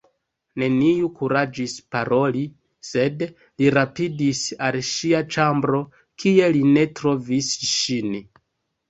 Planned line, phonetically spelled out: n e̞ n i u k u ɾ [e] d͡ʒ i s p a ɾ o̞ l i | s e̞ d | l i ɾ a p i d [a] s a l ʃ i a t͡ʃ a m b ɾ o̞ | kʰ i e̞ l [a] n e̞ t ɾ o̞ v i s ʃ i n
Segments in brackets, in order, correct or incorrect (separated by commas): incorrect, incorrect, incorrect